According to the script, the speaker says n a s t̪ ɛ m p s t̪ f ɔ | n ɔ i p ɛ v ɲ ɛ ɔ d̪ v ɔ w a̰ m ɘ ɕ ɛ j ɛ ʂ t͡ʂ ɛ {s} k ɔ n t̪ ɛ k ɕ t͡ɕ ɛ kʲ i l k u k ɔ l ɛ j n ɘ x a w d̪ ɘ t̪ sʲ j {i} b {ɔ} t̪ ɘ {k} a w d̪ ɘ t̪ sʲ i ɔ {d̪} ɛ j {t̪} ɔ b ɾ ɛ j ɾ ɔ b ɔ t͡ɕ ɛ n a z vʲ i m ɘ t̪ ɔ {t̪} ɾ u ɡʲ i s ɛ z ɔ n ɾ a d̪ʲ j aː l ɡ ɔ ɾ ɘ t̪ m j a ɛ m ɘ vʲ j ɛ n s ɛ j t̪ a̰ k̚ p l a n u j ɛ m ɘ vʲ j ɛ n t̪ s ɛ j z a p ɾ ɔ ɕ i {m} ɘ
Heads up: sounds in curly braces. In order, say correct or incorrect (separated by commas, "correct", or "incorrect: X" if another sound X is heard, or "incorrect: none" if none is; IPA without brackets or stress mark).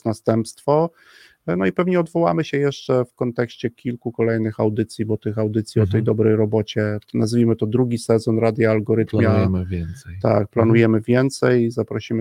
incorrect: f, correct, correct, incorrect: x, incorrect: t̪, incorrect: d̪, incorrect: d̪, correct